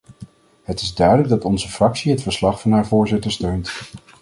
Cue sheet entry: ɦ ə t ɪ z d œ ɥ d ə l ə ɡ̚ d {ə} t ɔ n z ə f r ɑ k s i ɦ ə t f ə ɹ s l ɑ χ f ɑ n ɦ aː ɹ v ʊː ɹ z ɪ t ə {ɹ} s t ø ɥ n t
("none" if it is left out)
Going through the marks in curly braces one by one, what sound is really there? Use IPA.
ɑ, ɹ

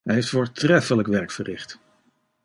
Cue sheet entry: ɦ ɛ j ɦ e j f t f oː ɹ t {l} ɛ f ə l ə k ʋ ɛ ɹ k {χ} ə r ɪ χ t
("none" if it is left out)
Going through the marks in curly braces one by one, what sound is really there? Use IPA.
r, f

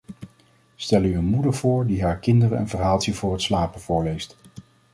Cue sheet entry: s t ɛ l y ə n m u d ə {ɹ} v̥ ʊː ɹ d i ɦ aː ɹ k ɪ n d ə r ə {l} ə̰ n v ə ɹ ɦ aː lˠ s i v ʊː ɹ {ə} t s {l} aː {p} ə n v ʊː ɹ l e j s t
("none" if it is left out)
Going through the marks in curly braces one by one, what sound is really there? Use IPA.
ɹ, none, ə, l, p

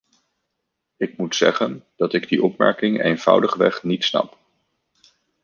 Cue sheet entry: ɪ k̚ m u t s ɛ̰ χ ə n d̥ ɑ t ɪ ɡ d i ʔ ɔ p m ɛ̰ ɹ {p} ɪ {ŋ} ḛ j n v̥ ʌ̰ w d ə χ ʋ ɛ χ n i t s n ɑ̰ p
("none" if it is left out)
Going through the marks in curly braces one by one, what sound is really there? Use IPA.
k, ŋ

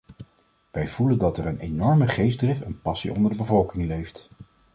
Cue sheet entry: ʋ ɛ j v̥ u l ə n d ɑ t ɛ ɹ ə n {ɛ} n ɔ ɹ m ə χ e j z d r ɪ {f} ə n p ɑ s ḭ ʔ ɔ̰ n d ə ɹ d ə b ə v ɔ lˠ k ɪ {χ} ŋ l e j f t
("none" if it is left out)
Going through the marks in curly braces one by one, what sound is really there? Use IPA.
e, f, none

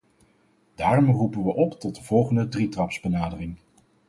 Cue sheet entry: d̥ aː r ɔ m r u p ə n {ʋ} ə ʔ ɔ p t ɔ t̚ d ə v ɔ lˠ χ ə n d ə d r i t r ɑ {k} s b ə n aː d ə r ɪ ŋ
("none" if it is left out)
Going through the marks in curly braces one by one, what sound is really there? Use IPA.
ʋ, p

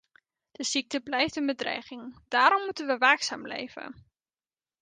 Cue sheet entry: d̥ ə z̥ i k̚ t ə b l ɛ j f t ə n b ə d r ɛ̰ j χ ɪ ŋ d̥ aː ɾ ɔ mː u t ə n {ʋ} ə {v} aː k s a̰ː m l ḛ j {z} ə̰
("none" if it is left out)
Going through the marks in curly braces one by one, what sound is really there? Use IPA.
ʋ, ʋ, v

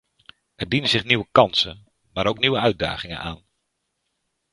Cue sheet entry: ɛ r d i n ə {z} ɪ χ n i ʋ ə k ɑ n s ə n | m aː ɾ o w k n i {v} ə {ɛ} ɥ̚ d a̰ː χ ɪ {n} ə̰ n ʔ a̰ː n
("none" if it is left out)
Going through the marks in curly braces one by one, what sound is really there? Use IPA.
z, ʋ, œ, ŋ

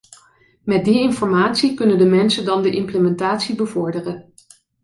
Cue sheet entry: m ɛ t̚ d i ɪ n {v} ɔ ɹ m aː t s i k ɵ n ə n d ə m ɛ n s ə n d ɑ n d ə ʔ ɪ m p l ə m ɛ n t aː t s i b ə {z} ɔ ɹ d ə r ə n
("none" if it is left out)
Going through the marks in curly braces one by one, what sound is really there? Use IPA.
f, v

